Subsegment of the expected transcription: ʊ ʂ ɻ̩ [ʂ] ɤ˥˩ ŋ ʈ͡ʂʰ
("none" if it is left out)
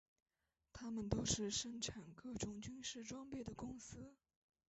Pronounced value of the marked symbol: ʂ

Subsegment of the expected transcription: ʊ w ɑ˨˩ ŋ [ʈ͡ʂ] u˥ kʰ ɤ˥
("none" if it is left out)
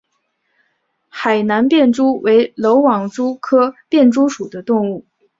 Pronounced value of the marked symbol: ʈ͡ʂ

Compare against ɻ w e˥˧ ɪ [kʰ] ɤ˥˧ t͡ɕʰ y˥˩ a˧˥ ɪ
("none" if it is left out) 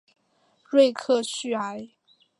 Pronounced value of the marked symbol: kʰ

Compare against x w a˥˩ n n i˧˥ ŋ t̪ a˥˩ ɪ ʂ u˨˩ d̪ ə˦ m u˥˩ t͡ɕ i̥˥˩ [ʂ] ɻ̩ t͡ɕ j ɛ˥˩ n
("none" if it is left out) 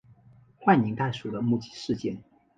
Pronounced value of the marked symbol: ʂ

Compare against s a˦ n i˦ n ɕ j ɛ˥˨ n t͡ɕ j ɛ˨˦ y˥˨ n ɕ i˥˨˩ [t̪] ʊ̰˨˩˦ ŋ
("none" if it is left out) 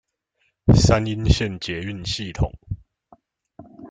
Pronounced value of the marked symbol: t̪ʰ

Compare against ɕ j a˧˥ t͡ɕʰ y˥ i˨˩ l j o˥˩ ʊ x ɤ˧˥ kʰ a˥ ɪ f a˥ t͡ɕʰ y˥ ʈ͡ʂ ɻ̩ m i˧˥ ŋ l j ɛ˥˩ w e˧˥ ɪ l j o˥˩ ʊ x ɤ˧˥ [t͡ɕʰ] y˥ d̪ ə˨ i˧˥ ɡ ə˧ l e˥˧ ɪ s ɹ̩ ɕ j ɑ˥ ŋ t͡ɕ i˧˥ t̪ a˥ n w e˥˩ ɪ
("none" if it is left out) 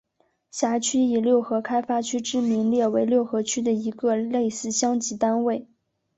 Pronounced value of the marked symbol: t͡ɕʰ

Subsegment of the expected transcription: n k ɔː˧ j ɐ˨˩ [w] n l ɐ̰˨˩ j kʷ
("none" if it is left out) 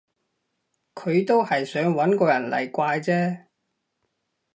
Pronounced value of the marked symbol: none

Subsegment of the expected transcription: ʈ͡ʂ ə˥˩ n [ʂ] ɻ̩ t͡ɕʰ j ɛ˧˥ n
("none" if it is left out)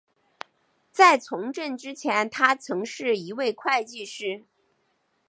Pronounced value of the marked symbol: ʈ͡ʂ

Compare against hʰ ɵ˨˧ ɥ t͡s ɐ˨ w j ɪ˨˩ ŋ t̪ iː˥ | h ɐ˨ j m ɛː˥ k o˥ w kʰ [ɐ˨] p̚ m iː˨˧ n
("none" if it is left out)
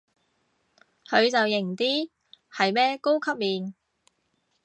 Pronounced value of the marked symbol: ɐ˥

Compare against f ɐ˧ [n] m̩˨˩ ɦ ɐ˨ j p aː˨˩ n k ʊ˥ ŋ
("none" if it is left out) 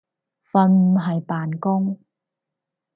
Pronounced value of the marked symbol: n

